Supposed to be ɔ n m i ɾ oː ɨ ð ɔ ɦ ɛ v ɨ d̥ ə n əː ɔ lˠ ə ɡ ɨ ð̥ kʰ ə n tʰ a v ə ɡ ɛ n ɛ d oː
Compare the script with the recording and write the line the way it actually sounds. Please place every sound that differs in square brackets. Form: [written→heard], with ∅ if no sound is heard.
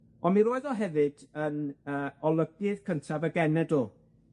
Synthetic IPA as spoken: ɔ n m i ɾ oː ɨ ð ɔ ɦ ɛ v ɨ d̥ ə n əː ɔ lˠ ə ɡ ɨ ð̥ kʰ ə n tʰ a v ə ɡ ɛ n ɛ d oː